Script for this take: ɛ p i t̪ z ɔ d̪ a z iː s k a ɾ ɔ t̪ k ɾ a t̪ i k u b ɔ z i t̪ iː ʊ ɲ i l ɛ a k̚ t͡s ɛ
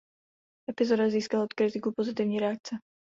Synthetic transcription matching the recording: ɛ p i z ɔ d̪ a z iː s k a l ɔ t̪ k ɾ i t̪ i k u p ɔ z i t̪ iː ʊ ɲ i ɾ ɛ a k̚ t͡s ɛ